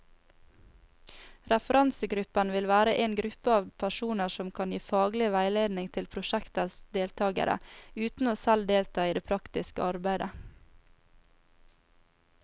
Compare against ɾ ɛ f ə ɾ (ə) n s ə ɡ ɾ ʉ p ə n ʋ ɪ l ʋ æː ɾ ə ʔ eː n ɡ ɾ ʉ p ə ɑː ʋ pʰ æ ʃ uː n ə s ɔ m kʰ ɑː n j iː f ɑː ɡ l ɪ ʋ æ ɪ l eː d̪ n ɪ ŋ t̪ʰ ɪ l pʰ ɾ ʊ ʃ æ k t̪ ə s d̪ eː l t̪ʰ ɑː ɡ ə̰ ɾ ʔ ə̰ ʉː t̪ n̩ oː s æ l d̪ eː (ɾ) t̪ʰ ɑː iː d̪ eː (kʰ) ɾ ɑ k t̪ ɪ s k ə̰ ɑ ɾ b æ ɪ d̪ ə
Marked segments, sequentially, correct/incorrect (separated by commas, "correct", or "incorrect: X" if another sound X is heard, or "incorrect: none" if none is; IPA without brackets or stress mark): incorrect: ɑ, incorrect: l, incorrect: pʰ